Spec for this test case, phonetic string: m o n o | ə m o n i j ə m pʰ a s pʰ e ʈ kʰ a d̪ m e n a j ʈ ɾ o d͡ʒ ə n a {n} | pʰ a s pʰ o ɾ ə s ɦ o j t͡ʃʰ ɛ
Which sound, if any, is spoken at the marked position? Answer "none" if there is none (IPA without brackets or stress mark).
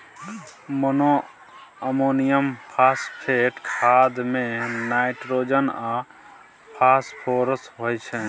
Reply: none